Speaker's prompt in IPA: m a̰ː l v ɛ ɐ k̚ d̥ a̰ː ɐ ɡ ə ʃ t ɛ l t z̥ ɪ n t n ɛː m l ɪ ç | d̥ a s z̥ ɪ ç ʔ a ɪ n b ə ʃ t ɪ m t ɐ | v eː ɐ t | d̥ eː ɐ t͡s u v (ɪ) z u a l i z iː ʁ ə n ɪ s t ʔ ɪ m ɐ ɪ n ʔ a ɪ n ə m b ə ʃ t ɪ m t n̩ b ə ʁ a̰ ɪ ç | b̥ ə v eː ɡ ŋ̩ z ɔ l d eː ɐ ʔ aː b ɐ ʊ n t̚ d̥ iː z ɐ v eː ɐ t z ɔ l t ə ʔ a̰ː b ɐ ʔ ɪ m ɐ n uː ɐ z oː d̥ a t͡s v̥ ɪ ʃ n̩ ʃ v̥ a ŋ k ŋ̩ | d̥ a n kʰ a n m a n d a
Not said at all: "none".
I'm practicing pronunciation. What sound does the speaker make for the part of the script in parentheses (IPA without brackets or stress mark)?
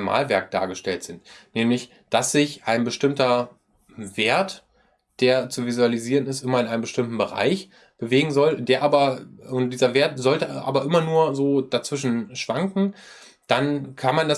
i